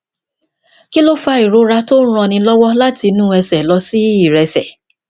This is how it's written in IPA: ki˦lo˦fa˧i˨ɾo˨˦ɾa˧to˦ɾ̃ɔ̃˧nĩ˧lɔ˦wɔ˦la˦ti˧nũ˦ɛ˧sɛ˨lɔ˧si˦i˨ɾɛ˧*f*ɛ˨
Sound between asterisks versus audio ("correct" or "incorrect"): incorrect